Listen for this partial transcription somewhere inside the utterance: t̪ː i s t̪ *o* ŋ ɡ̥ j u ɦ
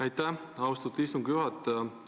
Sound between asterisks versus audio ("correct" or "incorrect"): incorrect